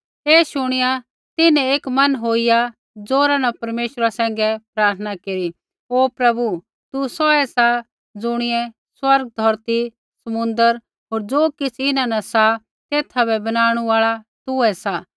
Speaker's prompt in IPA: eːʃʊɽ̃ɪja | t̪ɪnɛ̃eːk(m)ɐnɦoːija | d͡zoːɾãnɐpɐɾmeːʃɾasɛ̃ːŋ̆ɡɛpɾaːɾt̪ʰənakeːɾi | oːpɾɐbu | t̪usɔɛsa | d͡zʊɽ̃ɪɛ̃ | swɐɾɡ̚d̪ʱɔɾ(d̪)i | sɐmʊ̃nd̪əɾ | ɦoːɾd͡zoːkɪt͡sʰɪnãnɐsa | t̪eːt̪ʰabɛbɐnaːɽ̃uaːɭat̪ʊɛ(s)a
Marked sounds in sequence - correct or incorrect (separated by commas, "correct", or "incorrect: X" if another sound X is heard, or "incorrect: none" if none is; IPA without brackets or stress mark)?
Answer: correct, incorrect: t̪, correct